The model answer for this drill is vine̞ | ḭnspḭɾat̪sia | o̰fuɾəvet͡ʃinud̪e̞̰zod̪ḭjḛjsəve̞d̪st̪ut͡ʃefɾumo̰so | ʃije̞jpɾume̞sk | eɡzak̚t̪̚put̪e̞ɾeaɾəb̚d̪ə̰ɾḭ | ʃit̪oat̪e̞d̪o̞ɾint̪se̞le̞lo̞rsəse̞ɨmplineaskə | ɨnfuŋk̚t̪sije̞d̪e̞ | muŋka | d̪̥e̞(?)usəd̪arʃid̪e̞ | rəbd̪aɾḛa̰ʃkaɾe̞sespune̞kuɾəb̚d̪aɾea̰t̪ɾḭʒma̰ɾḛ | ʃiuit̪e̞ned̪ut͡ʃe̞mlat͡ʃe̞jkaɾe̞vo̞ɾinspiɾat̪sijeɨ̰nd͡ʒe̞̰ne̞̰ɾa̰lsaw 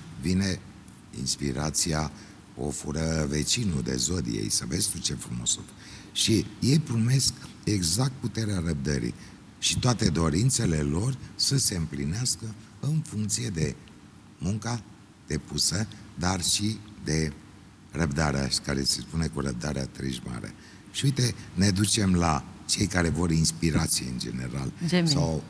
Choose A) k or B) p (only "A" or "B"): B